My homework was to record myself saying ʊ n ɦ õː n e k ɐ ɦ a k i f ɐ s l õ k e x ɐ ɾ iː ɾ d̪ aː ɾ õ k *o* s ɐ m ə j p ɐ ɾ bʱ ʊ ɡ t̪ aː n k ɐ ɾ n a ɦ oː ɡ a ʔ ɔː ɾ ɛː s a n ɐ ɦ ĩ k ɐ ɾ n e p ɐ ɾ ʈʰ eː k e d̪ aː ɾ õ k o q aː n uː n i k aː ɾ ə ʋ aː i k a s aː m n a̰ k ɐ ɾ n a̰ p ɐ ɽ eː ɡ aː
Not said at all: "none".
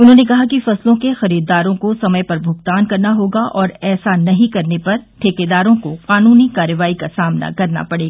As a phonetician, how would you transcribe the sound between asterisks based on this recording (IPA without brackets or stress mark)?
o